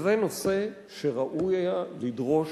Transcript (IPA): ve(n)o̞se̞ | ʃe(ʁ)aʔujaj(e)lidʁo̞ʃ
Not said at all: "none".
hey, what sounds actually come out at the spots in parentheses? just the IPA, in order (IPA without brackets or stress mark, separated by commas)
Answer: n, ʁ, a